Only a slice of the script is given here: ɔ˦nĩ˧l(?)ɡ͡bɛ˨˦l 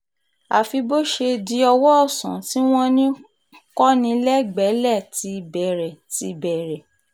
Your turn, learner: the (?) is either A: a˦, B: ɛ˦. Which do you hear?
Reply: B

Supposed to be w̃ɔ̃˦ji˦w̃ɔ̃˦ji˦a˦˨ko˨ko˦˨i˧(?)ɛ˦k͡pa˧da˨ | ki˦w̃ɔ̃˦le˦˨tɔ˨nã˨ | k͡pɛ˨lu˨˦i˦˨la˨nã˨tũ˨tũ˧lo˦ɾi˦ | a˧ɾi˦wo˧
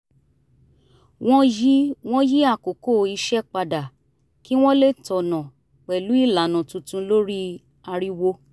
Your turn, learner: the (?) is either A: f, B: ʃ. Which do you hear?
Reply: B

